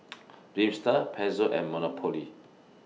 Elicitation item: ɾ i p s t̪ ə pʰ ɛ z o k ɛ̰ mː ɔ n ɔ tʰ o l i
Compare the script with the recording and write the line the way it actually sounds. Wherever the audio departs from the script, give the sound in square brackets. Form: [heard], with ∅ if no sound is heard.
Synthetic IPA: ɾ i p s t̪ [a] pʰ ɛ z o [ʔ] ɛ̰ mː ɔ n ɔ [pʰ] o l i